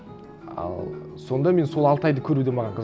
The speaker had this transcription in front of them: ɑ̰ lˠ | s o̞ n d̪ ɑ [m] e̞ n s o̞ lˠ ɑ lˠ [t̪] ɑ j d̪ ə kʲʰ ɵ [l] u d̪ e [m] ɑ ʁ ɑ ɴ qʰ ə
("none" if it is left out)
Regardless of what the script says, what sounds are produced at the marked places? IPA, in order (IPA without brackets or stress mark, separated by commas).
m, t̪, ɾ, m